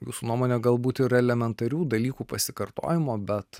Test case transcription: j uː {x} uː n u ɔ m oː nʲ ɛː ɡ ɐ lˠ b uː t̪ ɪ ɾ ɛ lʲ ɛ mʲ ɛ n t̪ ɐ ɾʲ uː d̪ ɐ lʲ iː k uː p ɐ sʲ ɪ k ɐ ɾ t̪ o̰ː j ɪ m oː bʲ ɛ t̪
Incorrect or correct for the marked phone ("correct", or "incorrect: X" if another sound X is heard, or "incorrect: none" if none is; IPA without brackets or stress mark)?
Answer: incorrect: s